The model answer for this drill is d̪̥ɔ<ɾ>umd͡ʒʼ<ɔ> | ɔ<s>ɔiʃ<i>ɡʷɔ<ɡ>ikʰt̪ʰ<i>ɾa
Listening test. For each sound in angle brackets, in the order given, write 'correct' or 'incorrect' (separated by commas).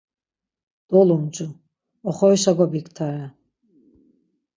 incorrect, incorrect, incorrect, incorrect, incorrect, incorrect